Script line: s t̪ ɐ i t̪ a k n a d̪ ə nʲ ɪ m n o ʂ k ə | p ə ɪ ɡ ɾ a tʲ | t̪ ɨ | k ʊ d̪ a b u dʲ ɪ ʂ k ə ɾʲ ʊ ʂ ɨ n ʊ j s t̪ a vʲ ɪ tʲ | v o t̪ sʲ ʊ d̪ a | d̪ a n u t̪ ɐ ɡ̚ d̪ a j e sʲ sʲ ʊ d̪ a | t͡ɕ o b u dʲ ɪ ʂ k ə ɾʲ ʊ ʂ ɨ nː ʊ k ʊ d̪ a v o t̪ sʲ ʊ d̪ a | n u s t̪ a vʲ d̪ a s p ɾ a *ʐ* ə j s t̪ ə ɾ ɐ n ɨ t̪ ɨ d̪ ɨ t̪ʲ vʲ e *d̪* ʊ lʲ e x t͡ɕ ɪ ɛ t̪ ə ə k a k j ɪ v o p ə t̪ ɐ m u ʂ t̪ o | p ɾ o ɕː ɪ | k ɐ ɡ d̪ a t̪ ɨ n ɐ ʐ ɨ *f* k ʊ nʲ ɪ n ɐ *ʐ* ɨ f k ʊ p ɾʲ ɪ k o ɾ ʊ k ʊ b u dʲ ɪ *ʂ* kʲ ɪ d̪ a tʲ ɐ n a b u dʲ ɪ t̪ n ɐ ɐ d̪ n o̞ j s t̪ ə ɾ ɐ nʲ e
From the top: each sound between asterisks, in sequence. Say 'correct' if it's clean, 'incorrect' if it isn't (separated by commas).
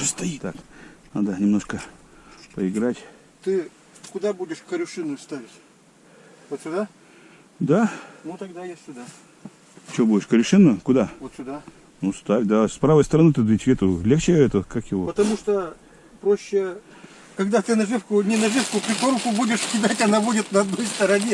incorrect, incorrect, correct, correct, correct